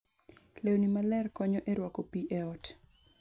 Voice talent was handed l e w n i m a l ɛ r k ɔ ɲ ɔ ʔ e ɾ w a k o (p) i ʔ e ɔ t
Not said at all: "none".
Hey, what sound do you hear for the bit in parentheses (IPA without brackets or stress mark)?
p